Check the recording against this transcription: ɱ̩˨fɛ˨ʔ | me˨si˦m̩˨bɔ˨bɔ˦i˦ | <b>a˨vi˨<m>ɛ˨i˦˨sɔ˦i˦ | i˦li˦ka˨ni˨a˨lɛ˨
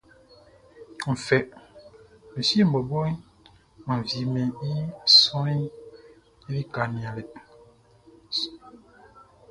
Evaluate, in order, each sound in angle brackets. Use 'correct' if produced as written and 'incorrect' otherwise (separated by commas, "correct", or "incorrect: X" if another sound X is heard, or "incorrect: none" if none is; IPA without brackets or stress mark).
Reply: incorrect: m, correct